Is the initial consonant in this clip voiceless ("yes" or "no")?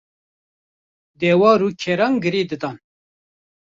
no